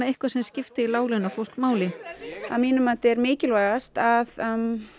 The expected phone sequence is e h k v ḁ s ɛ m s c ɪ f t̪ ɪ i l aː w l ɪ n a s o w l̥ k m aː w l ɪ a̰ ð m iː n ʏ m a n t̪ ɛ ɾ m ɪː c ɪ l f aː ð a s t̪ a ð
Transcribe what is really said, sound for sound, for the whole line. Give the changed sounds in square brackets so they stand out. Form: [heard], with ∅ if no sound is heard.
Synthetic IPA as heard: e h k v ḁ s ɛ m s c ɪ f t̪ ɪ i l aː w l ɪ n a [f] o w l̥ k m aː w l ɪ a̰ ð m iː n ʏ m a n t̪ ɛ ɾ m ɪː c ɪ l [v] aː [ɣ] a s t̪ a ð

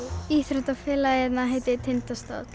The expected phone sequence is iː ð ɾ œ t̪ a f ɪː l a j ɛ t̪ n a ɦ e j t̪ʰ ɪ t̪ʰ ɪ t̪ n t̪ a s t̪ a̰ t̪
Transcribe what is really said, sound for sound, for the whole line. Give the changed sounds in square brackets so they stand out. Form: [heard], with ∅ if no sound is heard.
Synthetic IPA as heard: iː [θ] ɾ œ t̪ a f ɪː l a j ɛ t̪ n a ɦ e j [t̪] ɪ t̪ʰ ɪ [∅] n t̪ a s t̪ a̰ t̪

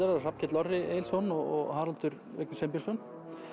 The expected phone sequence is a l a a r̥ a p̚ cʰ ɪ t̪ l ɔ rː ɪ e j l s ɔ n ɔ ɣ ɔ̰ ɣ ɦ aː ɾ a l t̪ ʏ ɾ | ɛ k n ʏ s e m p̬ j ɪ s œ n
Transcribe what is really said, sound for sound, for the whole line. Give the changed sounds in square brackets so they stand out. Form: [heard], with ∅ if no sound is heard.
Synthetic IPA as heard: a [ɾ] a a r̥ a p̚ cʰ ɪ t̪ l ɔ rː ɪ e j l s ɔ n ɔ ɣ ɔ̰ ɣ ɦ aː ɾ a l t̪ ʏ ɾ | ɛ k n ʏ s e m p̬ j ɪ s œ n

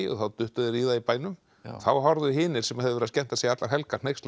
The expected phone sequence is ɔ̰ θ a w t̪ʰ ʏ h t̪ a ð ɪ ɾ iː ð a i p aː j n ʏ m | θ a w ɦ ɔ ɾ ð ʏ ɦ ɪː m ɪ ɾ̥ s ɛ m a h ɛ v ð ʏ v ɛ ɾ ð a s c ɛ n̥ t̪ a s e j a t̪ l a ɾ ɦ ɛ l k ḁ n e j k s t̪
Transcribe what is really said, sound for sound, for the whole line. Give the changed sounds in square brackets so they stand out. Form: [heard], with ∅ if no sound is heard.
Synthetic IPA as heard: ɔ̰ θ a w [t̪] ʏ h t̪ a ð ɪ ɾ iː ð a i p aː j n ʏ m | θ a w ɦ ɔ ɾ ð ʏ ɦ ɪː [n] ɪ ɾ̥ s ɛ m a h ɛ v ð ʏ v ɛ ɾ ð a s c ɛ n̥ t̪ a s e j a t̪ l a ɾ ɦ ɛ l k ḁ n e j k s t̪

